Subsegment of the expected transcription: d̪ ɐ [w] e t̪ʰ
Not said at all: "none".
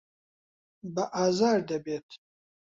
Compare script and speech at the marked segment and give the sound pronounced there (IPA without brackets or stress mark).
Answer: b